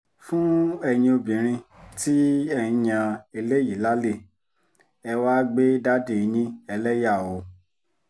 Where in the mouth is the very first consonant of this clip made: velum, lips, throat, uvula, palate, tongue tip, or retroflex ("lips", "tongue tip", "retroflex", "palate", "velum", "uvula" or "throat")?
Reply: lips